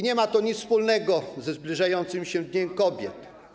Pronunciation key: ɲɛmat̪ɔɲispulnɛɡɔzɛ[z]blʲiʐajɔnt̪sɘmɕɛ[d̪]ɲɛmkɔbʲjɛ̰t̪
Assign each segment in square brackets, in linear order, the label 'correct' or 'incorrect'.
correct, correct

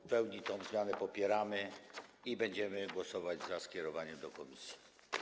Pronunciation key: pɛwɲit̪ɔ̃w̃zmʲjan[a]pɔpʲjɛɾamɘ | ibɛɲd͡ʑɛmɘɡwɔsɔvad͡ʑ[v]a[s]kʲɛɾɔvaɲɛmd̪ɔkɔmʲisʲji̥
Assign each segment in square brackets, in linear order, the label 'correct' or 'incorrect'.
incorrect: ɛ, incorrect: z, correct

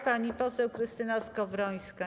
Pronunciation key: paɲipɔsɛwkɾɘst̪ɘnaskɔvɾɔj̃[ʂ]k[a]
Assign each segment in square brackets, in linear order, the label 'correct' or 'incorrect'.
incorrect: s, correct

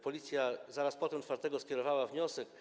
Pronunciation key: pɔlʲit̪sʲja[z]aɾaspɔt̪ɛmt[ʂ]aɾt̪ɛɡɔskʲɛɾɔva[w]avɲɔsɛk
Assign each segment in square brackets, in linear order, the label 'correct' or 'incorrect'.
correct, incorrect: f, correct

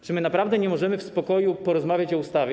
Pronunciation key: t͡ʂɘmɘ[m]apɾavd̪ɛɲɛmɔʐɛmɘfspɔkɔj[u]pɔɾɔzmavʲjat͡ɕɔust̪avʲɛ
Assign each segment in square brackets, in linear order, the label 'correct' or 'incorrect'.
incorrect: n, correct

